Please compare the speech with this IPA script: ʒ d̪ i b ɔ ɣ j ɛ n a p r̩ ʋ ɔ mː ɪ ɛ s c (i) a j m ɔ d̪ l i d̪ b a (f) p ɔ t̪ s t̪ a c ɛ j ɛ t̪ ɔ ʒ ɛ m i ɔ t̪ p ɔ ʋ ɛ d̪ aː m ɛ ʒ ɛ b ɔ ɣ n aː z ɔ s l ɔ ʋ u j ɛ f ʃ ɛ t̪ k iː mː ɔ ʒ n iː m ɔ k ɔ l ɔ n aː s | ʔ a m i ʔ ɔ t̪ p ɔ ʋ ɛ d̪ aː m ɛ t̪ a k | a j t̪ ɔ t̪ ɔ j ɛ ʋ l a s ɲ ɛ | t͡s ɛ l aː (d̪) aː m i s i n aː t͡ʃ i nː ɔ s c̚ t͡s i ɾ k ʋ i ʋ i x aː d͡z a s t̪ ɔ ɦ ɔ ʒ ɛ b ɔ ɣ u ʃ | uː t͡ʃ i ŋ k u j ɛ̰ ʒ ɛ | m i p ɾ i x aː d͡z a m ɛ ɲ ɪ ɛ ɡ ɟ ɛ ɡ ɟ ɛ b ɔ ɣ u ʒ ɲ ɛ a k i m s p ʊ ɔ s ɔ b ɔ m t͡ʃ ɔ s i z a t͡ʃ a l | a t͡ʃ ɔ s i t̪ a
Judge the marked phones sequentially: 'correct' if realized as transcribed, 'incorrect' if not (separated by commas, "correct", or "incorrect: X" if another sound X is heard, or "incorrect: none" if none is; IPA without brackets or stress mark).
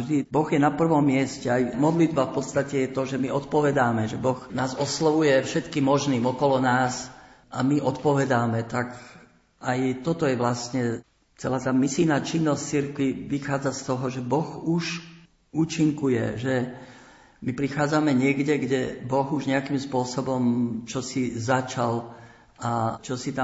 incorrect: ɛ, correct, incorrect: t̪